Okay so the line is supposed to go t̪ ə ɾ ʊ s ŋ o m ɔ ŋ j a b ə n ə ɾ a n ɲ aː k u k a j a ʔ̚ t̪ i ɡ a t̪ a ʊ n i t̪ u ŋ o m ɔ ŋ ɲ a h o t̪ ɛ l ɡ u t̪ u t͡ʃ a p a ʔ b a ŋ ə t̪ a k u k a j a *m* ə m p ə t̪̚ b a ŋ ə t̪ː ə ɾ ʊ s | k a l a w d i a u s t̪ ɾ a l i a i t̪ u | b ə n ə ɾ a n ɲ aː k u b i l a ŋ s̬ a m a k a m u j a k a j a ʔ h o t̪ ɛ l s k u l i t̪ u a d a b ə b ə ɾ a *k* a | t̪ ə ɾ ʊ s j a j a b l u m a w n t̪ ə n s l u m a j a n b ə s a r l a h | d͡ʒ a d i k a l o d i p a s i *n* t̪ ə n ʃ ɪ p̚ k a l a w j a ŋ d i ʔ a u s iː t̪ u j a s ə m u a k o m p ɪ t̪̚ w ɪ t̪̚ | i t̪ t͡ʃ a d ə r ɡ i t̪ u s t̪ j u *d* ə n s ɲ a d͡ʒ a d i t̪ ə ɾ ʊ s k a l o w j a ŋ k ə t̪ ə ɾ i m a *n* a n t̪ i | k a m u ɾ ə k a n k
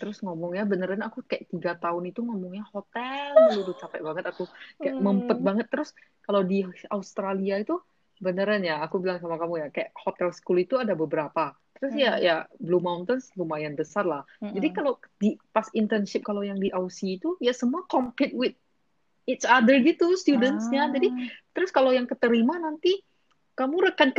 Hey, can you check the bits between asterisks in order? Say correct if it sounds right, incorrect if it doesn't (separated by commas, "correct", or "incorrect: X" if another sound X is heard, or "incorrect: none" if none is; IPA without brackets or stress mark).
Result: correct, incorrect: p, correct, correct, correct